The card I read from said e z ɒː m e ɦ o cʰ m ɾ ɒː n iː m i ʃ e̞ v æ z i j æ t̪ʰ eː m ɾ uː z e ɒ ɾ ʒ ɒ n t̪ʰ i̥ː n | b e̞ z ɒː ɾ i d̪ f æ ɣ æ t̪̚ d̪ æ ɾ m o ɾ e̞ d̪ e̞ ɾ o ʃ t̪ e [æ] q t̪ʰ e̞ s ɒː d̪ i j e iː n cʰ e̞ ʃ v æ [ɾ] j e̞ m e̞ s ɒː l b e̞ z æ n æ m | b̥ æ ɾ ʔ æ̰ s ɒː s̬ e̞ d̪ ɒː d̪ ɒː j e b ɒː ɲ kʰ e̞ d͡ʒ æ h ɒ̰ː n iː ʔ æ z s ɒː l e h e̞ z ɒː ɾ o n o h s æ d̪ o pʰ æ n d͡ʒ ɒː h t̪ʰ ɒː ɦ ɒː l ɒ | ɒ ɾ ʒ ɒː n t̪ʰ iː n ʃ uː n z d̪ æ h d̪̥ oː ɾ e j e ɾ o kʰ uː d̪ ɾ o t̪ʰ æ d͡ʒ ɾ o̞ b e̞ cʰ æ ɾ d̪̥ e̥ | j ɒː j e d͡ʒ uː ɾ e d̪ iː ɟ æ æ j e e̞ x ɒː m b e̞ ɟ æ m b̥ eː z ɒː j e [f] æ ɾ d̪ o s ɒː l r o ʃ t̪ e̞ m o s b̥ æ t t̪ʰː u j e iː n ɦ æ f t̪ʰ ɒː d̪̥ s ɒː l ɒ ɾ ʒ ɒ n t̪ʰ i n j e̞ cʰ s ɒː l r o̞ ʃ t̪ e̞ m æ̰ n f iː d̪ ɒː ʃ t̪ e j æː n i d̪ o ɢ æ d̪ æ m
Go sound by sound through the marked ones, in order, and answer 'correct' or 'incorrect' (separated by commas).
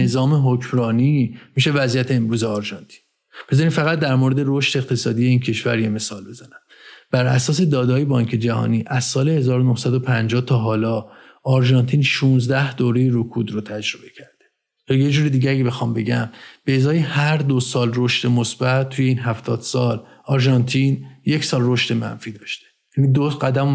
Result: incorrect, correct, incorrect